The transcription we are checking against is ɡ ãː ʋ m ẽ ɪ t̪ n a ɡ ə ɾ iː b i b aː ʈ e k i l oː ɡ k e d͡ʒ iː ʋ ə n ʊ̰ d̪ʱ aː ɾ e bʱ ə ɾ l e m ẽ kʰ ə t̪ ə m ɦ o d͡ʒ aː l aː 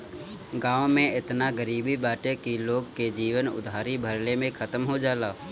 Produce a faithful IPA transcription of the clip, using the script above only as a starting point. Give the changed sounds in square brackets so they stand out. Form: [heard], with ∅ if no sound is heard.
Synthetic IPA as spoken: ɡ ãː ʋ m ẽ ɪ t̪ n a ɡ ə ɾ iː b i b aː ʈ e k i l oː ɡ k e d͡ʒ iː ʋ ə n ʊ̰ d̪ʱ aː ɾ [i] bʱ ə ɾ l e m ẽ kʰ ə t̪ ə m ɦ o d͡ʒ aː l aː

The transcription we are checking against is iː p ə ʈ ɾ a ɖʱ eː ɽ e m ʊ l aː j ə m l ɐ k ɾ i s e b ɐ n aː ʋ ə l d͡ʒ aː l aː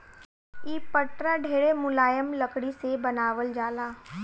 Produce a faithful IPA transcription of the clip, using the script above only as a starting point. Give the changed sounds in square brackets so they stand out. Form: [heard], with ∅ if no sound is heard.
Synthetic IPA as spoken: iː p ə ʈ ɾ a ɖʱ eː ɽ e m ʊ l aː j ə m l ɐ k [ɽ] i s e b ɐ n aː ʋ ə l d͡ʒ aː l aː

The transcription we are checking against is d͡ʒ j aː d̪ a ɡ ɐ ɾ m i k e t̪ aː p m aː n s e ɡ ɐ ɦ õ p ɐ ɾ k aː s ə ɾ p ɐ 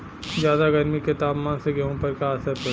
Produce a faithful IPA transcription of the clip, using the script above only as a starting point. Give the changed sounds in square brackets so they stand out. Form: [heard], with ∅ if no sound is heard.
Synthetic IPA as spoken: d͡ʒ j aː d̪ a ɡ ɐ ɾ m i k e t̪ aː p m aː n s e ɡ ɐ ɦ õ p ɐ ɾ k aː s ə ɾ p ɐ

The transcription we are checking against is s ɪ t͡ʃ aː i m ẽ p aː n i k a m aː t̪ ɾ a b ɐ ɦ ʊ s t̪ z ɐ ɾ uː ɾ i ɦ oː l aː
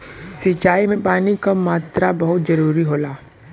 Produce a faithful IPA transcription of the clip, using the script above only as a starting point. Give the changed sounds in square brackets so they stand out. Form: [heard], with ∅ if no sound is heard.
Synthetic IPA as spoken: s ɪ t͡ʃ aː i m ẽ p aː n i k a m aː t̪ ɾ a b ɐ ɦ ʊ [∅] t̪ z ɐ ɾ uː ɾ i ɦ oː l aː

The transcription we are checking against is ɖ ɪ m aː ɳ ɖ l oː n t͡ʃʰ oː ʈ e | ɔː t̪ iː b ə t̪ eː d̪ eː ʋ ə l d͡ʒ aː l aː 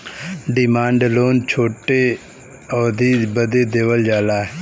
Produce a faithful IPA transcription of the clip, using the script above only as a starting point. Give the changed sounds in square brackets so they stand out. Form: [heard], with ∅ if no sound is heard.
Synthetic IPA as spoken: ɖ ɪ m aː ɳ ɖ l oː n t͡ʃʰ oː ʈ e | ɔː [d̪] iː b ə [d̪] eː d̪ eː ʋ ə l d͡ʒ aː l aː

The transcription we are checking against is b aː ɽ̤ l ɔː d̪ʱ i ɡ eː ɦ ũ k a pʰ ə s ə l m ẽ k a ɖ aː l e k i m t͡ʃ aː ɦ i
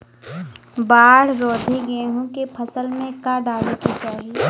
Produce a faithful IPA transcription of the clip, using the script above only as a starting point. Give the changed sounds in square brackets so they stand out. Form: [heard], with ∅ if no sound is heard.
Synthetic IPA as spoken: b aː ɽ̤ [ɾ] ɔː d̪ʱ i ɡ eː ɦ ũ k [e] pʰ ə s ə l m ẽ k a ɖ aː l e k i [∅] t͡ʃ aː ɦ i

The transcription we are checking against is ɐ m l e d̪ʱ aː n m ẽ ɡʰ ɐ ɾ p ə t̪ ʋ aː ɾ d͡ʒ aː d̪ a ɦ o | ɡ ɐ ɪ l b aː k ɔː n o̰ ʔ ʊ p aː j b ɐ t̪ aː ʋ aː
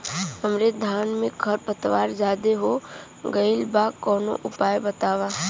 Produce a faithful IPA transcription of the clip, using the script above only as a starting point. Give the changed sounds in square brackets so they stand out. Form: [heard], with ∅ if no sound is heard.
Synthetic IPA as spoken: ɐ m [ɾ] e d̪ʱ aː n m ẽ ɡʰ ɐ ɾ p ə t̪ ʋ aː ɾ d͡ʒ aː d̪ [e] ɦ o | ɡ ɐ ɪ l b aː k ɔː n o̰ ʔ ʊ p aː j b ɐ t̪ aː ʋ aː

